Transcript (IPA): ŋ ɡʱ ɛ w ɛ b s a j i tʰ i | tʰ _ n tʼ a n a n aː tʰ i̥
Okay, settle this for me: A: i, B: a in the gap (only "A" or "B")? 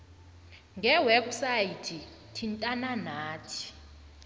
A